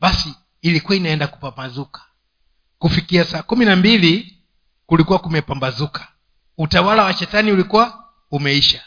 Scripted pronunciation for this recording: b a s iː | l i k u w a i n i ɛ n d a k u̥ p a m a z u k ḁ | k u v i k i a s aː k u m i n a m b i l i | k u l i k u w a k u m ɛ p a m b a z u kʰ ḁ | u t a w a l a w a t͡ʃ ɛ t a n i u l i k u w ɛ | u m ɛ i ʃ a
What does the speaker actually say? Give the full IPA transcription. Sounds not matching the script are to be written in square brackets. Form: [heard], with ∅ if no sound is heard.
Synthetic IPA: b a s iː | l i k u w a i n [a] ɛ n d a k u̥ p a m a z u k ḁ | k u [f] i k i a s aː k u m i n a m b i l i | k u l i k u w a k u m ɛ p a m b a z u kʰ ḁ | u t a w a l a w a t͡ʃ ɛ t a n i u l i k u w [a] | u m ɛ i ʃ a